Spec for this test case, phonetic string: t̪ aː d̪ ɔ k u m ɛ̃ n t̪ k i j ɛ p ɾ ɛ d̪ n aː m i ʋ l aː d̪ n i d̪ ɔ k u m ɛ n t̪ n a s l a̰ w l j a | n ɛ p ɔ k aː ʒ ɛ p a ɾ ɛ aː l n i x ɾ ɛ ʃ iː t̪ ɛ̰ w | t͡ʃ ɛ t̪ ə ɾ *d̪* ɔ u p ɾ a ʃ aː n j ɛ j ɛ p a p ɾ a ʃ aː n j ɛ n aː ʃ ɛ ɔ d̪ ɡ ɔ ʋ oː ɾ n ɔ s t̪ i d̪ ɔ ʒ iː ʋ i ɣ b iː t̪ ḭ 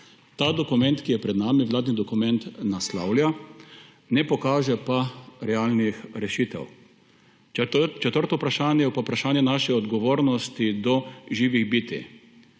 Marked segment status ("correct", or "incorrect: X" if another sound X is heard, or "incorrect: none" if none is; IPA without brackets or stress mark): incorrect: t̪